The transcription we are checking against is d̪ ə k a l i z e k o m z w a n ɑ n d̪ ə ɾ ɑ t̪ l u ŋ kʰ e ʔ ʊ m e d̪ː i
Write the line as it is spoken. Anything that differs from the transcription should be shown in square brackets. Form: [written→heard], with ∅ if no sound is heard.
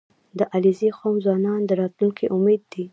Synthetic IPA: d̪ ə [k→ʔ] a l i z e [k→x] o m z w [a→ɑ] n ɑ n d̪ ə ɾ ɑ t̪ l u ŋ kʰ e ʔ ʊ m e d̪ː i